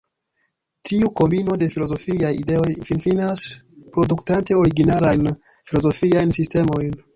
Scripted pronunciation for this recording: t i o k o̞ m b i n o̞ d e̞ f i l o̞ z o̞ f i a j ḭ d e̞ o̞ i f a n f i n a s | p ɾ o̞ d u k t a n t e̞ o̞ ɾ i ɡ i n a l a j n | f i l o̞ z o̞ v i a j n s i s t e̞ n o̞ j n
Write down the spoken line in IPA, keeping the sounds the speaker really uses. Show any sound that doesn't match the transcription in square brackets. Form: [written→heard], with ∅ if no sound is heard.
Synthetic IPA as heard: t i [o→u] k o̞ m b i n o̞ d e̞ f i l o̞ z o̞ f i a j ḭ d e̞ o̞ [i→j] f [a→i] n f i n a s | p ɾ o̞ d u k t a n t e̞ o̞ ɾ i ɡ i n a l a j n | f i l o̞ z o̞ [v→f] i a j n s i s t e̞ [n→m] o̞ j n